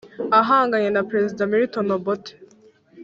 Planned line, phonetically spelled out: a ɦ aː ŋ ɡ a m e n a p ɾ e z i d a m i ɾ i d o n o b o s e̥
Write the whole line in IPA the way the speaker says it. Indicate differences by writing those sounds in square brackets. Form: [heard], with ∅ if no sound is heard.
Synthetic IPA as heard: a ɦ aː ŋ ɡ a [ɲ] e n a p ɾ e z i d a m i ɾ i [t] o n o b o [t] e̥